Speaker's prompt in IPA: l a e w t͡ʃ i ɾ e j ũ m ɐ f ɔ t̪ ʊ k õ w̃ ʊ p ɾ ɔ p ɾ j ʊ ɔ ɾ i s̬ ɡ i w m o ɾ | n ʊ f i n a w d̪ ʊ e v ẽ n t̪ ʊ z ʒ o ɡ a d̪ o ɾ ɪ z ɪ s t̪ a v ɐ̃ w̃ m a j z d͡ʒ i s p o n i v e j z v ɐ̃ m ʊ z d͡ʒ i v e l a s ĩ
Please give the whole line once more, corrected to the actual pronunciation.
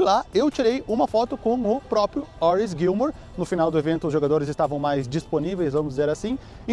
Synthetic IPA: l a e w t͡ʃ i ɾ e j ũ m ɐ f ɔ t̪ ʊ k õ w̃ ʊ p ɾ ɔ p ɾ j ʊ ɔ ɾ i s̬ ɡ i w m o ɾ | n ʊ f i n a w d̪ ʊ e v ẽ n t̪ ʊ z ʒ o ɡ a d̪ o ɾ ɪ z ɪ s t̪ a v ɐ̃ w̃ m a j z d͡ʒ i s p o n i v e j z v ɐ̃ m ʊ z d͡ʒ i z e ɾ a s ĩ

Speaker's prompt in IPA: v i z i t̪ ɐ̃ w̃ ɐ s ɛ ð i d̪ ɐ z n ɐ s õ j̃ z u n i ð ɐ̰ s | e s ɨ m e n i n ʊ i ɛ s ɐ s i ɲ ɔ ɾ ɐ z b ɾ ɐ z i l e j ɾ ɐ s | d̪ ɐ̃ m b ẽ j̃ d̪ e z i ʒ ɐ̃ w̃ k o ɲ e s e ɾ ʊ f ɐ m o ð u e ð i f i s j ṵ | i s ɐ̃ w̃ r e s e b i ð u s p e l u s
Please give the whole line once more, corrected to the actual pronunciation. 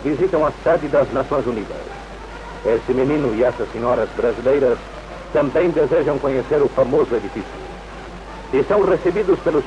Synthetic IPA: v i z i t̪ ɐ̃ w̃ ɐ s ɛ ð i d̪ ɐ z n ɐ s õ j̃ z u n i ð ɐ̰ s | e s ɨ m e n i n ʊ i ɛ s ɐ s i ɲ ɔ ɾ ɐ z b ɾ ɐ z i l e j ɾ ɐ s | t̪ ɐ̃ m b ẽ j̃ d̪ e z e ʒ ɐ̃ w̃ k o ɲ e s e ɾ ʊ f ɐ m o z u e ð i f i s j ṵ | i s ɐ̃ w̃ r e s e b i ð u s p e l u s

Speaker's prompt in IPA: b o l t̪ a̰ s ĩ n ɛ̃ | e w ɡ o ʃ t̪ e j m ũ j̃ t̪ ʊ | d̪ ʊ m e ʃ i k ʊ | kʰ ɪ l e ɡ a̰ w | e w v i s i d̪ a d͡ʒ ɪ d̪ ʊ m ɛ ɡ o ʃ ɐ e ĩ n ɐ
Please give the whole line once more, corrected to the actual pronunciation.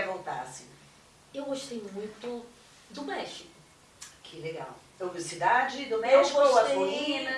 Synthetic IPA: v o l t̪ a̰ s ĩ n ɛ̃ | e w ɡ o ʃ t̪ e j m ũ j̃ t̪ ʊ | d̪ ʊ m ɛ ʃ i k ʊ | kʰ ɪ l e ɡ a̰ w | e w v i s i d̪ a d͡ʒ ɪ d̪ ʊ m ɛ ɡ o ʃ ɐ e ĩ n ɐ

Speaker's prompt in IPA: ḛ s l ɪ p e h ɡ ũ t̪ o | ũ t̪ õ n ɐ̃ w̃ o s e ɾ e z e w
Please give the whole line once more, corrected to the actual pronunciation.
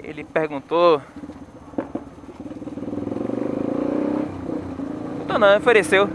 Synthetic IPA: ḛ l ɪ p e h ɡ ũ t̪ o | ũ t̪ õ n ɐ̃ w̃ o f e ɾ e s e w

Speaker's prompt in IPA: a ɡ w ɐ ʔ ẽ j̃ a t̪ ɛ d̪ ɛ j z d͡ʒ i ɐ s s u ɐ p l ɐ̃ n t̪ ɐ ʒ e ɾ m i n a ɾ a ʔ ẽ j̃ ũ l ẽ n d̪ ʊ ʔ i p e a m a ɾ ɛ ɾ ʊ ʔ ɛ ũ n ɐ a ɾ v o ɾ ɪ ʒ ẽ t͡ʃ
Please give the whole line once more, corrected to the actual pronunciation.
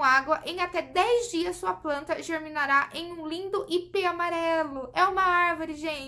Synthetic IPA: a ɡ w ɐ ʔ ẽ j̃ a t̪ ɛ d̪ ɛ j z d͡ʒ i ɐ s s u ɐ p l ɐ̃ n t̪ ɐ ʒ e ɾ m i n a ɾ a ʔ ẽ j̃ ũ l ĩ n d̪ ʊ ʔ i p e a m a ɾ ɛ l ʊ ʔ ɛ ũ m ɐ a ɾ v o ɾ ɪ ʒ ẽ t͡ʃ

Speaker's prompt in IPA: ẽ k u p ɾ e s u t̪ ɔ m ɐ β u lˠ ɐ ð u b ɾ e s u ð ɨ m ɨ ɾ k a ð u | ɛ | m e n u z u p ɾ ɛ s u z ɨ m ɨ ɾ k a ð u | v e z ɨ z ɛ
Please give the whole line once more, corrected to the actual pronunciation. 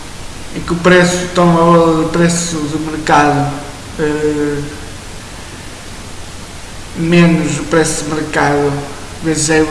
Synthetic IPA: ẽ k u p ɾ e s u t̪ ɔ m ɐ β ɔ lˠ ɐ ð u p ɾ e s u ð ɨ m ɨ ɾ k a ð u | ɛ | m e n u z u p ɾ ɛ s u ð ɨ m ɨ ɾ k a ð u | v e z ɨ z ɛ

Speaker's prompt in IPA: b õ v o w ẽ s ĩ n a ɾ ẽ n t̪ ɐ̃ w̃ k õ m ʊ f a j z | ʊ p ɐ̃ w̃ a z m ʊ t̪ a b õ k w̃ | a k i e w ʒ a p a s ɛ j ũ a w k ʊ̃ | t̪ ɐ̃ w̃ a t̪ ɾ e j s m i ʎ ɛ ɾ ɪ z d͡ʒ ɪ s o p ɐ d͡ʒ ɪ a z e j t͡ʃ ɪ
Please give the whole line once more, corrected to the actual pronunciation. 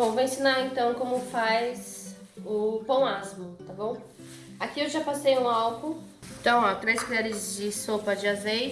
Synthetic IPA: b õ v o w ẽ s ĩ n a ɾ ẽ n t̪ ɐ̃ w̃ k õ m ʊ f a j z | ʊ p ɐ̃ w̃ a z m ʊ t̪ a b õ w̃ | a k i e w ʒ a p a s e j ũ a w k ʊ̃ | t̪ ɐ̃ w̃ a t̪ ɾ e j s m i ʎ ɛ ɾ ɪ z d͡ʒ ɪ s o p ɐ d͡ʒ ɪ a z e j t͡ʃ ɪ

